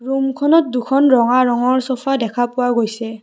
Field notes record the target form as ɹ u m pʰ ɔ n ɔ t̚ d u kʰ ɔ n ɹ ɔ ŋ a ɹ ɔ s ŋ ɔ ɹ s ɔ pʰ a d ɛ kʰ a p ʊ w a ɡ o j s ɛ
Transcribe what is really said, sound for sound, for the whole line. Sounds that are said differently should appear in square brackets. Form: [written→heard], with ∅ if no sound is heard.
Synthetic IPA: ɹ u m [pʰ→kʰ] ɔ n ɔ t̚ d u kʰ ɔ n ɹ ɔ ŋ a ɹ ɔ [s→∅] ŋ ɔ ɹ s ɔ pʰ a d ɛ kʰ a p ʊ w a ɡ o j s ɛ

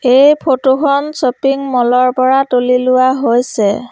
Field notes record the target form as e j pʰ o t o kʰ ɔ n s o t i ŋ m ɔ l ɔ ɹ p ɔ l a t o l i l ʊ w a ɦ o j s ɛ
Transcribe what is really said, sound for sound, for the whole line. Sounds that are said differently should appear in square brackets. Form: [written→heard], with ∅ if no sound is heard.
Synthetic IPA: e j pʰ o t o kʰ ɔ n s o [t→p] i ŋ m ɔ l ɔ ɹ p ɔ [l→ɹ] a t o l i l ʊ w a ɦ o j s ɛ

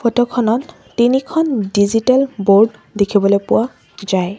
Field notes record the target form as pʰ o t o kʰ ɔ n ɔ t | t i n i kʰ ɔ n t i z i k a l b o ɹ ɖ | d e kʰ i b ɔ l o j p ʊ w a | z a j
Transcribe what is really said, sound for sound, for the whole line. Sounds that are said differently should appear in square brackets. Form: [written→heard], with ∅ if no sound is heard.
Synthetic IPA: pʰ o t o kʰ ɔ n ɔ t | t i n i kʰ ɔ n [t→d] i z i [k→t] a l b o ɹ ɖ | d e kʰ i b ɔ l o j p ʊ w a | z a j

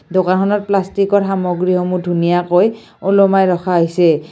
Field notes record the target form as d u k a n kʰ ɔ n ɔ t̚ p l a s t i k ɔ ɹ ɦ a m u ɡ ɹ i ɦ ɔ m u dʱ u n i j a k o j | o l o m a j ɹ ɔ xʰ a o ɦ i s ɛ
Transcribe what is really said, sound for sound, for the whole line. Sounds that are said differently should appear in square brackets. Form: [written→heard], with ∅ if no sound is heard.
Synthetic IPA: d [u→o] k a n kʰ ɔ n ɔ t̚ p l a s t i k ɔ ɹ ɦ a m [u→ɔ] ɡ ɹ i ɦ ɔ m u dʱ u n i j a k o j | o l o m a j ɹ ɔ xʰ a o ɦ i s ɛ

